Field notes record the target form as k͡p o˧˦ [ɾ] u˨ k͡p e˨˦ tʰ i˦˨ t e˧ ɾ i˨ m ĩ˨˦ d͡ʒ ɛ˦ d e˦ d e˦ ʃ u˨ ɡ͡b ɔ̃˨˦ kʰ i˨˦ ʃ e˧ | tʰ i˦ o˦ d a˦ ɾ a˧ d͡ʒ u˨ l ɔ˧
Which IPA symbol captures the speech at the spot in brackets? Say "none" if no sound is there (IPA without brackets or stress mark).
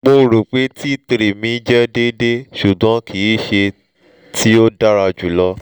ɾ